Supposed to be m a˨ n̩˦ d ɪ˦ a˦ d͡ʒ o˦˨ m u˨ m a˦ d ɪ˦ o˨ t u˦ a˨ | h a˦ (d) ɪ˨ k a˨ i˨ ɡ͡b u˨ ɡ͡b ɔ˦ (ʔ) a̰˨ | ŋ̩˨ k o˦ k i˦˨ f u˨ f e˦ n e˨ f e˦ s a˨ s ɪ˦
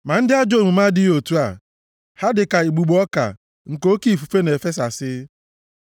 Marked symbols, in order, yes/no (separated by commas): yes, no